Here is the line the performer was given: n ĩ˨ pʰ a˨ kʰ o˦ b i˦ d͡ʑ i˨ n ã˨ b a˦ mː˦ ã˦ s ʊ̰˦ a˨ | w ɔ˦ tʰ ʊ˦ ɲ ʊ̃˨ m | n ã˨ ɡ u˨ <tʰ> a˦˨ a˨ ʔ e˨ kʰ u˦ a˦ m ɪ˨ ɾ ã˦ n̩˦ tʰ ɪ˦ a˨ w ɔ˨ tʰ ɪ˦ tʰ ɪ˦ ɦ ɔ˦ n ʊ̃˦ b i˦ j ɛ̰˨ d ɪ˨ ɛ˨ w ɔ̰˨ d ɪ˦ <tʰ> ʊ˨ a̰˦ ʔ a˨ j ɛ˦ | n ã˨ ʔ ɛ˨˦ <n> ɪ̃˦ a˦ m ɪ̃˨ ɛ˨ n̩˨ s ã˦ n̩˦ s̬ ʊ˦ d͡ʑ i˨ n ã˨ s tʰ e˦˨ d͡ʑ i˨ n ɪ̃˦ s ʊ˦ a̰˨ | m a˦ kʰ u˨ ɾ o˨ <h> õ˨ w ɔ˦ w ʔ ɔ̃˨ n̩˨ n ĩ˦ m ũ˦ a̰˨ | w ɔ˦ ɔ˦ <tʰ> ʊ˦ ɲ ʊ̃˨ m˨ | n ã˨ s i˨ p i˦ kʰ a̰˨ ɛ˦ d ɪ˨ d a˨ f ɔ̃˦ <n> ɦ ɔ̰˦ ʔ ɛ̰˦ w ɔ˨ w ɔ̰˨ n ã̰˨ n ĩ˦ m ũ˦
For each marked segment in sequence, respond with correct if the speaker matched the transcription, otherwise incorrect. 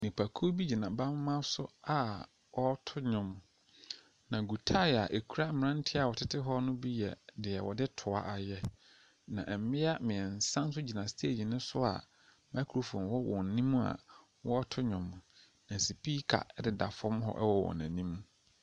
correct, correct, incorrect: m, incorrect: f, correct, incorrect: m

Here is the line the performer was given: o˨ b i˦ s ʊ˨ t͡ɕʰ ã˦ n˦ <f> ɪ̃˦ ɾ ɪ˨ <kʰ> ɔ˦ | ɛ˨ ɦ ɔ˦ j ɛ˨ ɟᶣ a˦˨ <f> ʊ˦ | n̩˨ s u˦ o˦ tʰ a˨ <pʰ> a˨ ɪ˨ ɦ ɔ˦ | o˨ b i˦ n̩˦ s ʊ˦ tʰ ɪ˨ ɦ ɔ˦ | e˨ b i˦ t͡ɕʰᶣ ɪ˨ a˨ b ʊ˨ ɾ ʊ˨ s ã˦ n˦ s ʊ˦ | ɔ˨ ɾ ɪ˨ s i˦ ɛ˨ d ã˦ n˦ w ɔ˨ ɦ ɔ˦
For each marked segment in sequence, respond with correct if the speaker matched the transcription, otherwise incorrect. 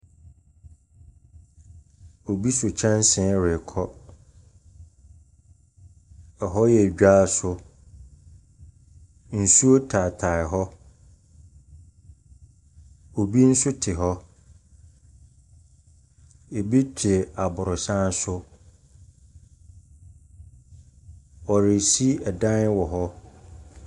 incorrect: s, correct, incorrect: s, incorrect: tʰ

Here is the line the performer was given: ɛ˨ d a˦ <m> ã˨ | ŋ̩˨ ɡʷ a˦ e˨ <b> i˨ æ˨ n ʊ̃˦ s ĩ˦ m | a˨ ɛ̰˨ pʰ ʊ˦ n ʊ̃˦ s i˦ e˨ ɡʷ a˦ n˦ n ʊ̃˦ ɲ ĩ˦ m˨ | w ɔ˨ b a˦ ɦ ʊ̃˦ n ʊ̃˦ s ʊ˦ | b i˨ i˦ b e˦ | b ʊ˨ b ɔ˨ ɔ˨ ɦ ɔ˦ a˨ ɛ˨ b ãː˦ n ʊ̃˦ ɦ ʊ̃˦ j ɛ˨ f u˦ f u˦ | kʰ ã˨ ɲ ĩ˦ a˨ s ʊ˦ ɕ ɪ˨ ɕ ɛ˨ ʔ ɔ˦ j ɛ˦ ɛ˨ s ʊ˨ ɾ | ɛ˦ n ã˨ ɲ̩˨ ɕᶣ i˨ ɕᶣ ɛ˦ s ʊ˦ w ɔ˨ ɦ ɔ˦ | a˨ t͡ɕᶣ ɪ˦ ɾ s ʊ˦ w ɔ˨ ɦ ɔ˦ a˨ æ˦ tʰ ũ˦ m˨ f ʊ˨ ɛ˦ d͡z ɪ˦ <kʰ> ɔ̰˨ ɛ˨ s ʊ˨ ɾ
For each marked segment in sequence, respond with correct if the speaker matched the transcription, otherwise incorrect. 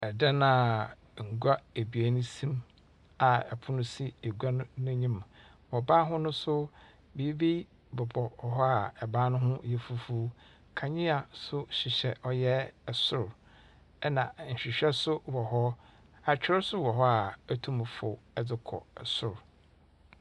incorrect: n, correct, correct

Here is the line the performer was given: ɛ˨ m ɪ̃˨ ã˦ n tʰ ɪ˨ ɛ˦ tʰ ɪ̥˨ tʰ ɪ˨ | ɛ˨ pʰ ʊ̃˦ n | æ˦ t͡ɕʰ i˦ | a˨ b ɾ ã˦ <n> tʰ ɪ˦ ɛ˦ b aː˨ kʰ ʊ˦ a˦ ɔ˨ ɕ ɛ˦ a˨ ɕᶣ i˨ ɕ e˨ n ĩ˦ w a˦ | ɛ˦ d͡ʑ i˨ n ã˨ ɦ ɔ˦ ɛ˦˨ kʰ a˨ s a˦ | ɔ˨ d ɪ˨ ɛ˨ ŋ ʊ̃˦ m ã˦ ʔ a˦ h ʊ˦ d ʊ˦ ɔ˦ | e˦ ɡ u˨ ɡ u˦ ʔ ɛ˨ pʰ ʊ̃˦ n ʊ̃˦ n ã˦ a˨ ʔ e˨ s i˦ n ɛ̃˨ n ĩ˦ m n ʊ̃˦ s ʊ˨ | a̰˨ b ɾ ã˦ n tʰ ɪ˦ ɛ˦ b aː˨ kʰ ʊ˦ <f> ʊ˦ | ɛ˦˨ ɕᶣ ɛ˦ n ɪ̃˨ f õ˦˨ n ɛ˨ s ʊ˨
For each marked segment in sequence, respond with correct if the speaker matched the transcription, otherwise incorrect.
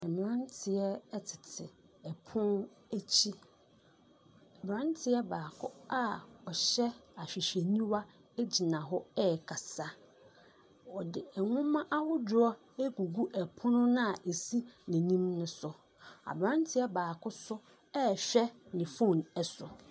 correct, incorrect: s

